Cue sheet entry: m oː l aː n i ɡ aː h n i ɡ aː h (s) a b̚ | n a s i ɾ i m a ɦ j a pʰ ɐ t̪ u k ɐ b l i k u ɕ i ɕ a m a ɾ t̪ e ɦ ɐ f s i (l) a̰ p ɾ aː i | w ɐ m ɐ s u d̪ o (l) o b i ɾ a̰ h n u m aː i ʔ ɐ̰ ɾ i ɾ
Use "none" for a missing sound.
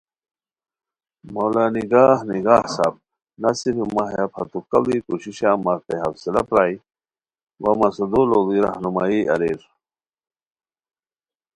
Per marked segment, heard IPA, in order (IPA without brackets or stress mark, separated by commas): s, l, l